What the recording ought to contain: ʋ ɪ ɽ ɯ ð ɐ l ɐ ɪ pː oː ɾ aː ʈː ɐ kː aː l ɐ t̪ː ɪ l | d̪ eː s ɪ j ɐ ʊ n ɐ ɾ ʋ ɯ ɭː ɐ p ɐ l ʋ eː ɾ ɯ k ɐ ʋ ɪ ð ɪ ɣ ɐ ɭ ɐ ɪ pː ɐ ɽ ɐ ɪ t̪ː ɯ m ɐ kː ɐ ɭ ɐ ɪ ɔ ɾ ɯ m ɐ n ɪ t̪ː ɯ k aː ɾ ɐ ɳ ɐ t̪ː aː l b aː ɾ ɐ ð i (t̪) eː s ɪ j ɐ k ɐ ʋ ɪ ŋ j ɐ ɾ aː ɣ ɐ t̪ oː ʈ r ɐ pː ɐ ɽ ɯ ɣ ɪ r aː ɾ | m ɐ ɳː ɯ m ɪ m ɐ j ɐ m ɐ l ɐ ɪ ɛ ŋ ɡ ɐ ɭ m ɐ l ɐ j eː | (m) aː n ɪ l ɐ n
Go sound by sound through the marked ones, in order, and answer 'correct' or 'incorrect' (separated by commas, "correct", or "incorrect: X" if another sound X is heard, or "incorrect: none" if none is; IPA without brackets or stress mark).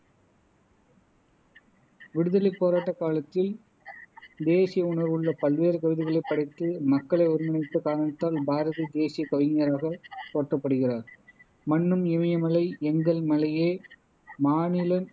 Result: incorrect: d̪, correct